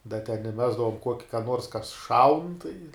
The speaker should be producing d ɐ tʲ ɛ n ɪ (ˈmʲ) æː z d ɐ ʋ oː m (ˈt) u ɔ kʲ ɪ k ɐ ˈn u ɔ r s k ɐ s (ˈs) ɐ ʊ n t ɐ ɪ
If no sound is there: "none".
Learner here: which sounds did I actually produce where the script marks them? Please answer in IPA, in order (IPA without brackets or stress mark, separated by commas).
mʲ, k, ʃ